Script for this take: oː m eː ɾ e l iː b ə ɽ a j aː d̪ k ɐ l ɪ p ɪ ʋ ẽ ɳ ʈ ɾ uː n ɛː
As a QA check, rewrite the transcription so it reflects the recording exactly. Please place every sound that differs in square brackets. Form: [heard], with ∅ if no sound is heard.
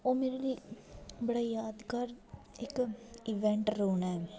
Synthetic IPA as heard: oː m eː ɾ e l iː b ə ɽ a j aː d̪ k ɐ [ɾ] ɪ [k] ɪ ʋ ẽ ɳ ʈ ɾ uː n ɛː